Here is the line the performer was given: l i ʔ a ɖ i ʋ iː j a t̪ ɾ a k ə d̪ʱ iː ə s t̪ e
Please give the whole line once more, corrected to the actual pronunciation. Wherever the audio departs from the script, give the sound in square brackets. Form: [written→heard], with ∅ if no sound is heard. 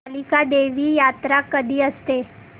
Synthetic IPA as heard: l i [ʔ→k] a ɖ [i→e] ʋ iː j a t̪ ɾ a k ə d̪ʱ iː ə s t̪ e